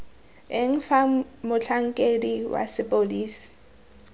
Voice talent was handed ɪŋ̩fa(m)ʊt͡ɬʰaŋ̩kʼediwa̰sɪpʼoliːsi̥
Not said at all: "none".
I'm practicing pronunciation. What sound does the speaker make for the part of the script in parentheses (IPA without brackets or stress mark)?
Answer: m